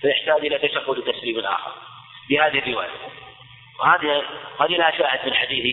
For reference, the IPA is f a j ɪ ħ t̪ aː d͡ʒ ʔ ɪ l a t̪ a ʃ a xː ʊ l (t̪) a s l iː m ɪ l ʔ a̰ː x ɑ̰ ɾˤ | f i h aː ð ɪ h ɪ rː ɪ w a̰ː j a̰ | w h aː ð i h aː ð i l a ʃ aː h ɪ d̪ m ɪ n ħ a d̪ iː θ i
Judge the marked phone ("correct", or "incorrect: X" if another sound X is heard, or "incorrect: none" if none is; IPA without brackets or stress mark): correct